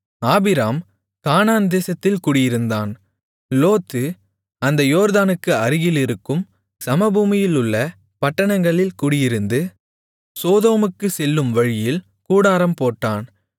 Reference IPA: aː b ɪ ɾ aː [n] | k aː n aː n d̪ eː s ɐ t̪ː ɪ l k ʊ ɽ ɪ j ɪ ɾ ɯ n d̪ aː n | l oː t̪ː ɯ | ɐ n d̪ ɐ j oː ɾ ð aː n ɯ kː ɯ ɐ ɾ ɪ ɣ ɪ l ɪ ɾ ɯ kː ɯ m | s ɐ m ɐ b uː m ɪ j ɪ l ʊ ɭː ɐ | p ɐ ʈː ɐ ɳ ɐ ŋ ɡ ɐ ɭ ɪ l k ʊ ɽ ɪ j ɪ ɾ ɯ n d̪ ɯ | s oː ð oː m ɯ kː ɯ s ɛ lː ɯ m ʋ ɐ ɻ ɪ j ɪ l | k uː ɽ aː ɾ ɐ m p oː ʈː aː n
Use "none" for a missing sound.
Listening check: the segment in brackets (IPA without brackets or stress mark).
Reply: m